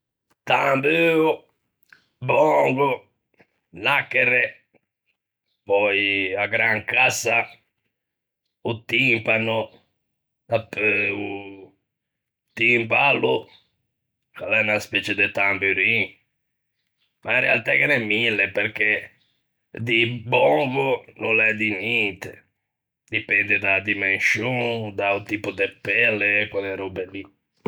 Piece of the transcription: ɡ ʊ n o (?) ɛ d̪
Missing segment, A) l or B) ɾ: A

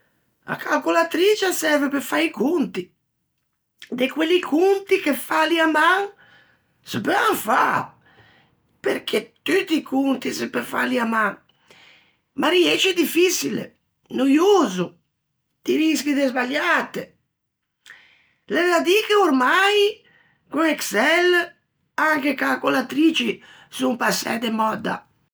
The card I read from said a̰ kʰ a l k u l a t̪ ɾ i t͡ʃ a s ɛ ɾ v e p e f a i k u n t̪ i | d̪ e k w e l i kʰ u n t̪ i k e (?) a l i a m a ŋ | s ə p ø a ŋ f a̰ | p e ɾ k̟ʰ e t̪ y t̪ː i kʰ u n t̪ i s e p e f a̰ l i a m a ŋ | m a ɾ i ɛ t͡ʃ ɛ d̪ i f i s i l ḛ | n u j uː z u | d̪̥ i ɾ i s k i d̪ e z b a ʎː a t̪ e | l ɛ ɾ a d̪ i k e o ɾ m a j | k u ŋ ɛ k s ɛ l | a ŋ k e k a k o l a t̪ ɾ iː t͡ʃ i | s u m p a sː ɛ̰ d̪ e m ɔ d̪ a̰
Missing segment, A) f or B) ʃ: A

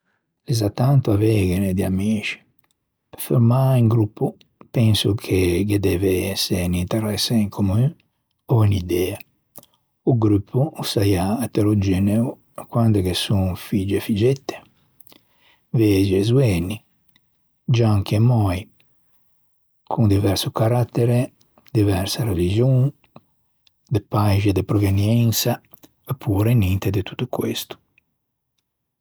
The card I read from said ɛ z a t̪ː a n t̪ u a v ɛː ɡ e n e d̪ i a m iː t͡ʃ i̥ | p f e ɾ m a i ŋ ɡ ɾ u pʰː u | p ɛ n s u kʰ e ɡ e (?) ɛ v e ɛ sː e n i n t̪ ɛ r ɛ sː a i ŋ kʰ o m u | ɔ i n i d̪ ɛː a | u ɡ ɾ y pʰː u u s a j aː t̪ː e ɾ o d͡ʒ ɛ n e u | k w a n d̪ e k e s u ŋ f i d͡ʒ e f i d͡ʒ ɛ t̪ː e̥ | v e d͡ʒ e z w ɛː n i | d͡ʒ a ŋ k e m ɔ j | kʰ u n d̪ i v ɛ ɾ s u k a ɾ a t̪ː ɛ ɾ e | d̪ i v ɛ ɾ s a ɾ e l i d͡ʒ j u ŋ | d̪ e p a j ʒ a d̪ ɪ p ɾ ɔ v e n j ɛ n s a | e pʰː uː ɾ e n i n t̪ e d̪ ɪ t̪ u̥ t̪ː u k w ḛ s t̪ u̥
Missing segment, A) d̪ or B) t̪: A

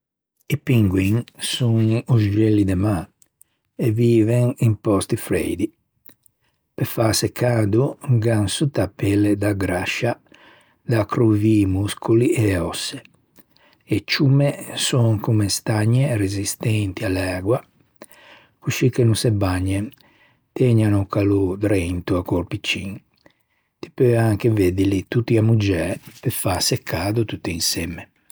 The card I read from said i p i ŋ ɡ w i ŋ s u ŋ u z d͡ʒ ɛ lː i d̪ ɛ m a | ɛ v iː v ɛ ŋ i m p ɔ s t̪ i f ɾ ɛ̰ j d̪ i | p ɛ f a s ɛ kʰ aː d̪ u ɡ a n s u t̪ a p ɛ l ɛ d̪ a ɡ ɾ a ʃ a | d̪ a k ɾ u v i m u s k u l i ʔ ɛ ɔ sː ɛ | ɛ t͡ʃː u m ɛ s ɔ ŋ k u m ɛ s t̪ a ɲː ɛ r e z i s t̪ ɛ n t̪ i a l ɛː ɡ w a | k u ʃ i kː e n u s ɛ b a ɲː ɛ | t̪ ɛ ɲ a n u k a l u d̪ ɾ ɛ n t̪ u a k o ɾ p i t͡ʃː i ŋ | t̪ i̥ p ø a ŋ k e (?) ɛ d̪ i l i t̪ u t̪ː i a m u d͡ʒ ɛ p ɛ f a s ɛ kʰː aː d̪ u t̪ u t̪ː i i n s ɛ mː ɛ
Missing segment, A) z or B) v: B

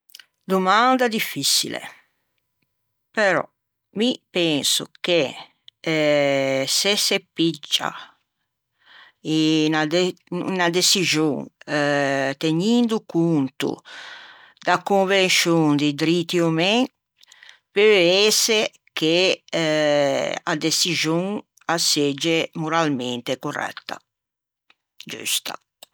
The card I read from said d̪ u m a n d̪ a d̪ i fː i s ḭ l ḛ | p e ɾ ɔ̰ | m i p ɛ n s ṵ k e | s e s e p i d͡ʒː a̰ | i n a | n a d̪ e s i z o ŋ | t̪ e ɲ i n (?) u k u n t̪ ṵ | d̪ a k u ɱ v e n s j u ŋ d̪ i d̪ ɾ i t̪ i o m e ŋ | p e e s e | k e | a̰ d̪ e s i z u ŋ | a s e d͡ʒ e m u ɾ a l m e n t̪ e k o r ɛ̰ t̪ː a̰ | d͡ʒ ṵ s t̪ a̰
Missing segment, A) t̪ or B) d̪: B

